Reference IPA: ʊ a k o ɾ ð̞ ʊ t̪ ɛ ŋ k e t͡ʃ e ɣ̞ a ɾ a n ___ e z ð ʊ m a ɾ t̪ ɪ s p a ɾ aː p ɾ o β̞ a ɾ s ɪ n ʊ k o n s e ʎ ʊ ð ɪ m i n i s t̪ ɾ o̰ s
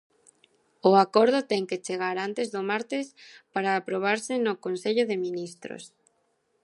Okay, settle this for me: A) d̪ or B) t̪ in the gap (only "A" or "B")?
B